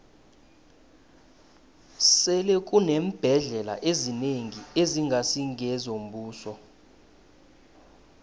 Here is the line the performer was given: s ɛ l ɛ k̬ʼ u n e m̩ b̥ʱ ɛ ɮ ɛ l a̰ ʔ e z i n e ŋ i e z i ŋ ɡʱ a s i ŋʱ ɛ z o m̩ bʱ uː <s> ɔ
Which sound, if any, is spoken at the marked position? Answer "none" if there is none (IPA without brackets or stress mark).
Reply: s